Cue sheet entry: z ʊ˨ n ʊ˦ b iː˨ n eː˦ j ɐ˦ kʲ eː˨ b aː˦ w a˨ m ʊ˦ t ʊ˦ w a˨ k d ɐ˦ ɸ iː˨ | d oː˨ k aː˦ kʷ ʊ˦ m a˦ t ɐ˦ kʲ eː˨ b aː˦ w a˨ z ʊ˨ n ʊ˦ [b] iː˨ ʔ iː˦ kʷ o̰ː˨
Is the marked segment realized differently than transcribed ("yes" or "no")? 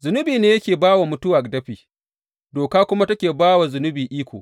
no